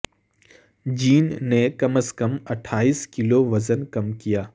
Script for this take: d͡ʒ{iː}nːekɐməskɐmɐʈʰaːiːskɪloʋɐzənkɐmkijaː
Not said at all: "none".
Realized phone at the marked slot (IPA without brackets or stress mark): iː